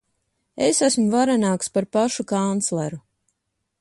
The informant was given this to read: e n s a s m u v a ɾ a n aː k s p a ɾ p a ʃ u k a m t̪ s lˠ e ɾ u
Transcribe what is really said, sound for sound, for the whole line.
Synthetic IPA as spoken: e s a s m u v a ɾ a n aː k s p a ɾ p a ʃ u k a n t̪ s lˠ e ɾ u